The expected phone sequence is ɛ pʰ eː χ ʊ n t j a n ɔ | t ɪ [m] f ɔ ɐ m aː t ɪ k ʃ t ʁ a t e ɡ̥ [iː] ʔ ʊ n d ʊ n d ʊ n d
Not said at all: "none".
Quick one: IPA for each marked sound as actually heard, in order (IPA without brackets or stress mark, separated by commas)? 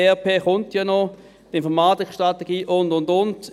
n, iː